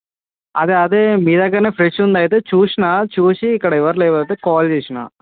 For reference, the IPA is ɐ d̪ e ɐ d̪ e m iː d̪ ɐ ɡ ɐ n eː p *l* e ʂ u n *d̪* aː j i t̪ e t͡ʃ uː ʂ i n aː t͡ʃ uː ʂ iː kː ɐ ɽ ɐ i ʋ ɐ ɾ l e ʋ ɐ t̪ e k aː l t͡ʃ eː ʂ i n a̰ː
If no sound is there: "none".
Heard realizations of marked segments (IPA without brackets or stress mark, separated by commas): ɾ, d̪